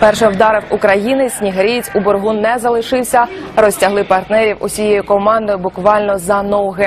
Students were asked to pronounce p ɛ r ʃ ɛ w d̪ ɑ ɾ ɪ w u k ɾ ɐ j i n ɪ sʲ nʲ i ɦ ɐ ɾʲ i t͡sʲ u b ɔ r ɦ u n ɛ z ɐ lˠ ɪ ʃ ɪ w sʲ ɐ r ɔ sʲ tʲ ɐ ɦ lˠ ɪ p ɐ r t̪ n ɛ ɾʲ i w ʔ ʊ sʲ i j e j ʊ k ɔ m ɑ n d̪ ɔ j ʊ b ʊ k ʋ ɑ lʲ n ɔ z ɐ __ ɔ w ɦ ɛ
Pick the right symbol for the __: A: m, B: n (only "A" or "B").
B